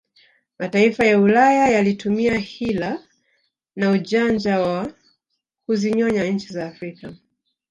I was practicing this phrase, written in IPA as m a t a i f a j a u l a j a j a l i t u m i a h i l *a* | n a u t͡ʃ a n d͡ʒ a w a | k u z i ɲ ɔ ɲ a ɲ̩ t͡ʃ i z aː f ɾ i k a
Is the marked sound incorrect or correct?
correct